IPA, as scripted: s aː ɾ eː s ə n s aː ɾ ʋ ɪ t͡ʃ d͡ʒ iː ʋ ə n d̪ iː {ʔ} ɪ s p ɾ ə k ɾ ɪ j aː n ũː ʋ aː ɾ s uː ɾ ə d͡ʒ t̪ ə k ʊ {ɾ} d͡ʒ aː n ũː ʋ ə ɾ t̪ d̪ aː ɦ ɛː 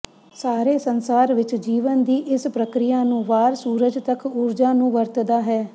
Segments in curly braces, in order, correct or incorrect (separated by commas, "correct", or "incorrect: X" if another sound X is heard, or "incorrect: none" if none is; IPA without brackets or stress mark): correct, correct